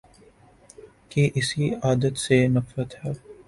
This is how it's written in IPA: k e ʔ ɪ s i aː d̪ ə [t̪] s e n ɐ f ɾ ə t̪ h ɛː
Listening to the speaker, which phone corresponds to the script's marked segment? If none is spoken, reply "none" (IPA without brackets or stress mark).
t̪